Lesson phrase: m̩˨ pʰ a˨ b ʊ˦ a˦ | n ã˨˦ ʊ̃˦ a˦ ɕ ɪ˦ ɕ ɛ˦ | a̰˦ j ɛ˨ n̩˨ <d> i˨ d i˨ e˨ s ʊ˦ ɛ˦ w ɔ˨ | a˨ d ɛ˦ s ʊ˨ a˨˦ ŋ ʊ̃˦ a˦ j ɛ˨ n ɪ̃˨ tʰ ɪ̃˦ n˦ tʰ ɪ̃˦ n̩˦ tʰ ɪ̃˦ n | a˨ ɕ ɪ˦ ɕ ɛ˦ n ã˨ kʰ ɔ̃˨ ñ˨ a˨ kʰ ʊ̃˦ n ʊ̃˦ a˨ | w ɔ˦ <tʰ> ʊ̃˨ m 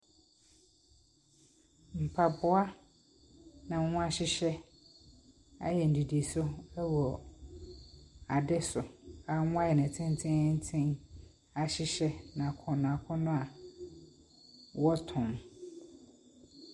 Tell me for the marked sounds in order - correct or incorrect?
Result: correct, correct

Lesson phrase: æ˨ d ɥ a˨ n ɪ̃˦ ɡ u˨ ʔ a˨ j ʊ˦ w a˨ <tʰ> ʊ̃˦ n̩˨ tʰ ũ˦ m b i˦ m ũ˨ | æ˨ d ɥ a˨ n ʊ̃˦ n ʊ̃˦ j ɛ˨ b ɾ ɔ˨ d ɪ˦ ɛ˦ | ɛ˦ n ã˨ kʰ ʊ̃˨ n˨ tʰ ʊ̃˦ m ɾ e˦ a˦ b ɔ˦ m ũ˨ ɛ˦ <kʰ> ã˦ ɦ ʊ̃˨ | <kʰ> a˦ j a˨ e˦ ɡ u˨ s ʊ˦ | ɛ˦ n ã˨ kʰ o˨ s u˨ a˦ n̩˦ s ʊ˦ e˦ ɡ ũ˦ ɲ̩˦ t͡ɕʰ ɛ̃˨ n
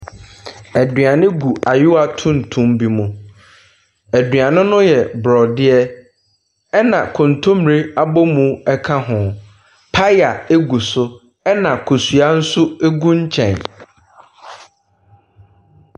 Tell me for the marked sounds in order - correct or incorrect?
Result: correct, correct, incorrect: pʰ

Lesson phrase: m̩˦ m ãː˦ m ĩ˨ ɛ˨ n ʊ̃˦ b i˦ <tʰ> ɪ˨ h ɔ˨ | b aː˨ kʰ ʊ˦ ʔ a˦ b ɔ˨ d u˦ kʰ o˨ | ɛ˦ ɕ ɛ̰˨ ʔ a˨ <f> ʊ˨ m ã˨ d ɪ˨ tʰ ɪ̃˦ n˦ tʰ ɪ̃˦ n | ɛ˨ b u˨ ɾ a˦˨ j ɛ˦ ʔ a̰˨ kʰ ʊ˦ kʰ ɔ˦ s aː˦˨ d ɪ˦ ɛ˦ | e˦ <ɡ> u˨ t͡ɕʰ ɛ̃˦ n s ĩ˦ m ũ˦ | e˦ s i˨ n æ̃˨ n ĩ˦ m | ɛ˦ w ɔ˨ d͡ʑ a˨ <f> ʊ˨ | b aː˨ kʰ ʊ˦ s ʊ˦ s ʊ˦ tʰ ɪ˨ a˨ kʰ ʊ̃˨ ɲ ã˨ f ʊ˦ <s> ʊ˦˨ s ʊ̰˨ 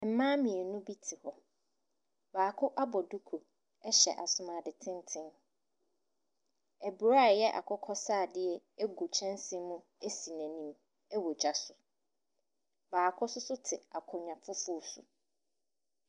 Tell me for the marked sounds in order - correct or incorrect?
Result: correct, incorrect: s, correct, incorrect: s, incorrect: f

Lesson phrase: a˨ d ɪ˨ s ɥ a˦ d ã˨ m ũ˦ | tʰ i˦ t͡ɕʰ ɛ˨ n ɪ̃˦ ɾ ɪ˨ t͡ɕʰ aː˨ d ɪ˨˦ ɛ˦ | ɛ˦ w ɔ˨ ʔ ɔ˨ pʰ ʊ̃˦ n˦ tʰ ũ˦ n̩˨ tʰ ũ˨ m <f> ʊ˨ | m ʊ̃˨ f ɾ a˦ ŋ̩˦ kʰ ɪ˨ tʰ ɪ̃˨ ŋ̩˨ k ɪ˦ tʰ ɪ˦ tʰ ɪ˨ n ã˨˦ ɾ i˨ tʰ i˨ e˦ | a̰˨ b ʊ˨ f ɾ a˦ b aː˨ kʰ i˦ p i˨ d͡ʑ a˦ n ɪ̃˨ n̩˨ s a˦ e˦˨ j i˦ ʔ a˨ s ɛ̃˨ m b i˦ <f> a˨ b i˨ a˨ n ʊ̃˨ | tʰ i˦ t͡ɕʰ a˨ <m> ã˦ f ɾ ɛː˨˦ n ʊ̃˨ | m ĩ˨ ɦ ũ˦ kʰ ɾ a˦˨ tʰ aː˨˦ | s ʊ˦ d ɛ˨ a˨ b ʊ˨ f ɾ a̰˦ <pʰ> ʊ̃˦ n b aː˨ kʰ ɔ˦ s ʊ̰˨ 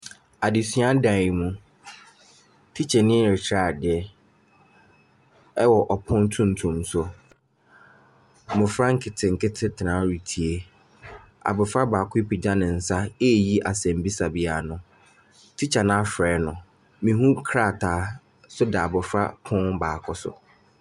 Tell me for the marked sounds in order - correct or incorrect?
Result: incorrect: s, incorrect: s, incorrect: n, correct

